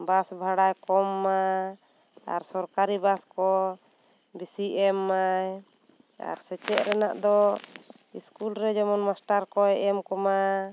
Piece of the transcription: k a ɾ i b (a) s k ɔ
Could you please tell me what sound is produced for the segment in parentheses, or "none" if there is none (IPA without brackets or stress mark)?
a